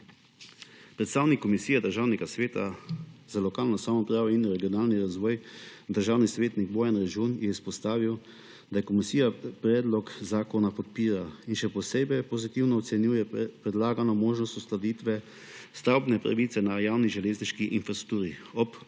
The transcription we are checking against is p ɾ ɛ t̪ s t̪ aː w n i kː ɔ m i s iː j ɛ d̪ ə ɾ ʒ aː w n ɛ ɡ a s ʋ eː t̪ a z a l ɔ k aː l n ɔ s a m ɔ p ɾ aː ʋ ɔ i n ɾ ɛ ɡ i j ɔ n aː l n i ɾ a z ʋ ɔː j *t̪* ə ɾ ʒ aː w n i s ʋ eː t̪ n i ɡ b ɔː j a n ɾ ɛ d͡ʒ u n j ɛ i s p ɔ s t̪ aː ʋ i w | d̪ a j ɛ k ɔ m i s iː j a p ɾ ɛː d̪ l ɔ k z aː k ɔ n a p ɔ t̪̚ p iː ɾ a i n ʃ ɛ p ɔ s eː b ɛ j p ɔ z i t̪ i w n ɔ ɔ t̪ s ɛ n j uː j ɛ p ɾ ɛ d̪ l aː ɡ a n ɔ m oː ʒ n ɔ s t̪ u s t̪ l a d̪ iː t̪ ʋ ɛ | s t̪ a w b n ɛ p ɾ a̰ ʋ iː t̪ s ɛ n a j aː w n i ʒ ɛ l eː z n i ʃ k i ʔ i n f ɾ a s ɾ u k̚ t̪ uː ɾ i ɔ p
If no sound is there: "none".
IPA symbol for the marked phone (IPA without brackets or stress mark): d̪